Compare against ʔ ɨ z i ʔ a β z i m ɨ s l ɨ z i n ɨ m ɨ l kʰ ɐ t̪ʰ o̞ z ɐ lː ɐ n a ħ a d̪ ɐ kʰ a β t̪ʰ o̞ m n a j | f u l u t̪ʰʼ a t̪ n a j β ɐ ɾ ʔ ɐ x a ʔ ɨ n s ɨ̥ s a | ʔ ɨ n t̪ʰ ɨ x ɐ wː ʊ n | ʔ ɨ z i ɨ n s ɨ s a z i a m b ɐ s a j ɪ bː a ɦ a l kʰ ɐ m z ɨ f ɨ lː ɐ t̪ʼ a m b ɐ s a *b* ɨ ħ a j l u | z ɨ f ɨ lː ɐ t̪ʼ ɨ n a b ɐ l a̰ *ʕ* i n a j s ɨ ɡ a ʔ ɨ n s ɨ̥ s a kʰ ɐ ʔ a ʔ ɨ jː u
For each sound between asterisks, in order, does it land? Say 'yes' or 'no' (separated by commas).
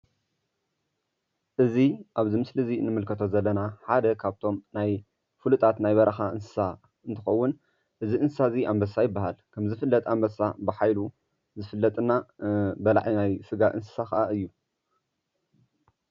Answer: yes, yes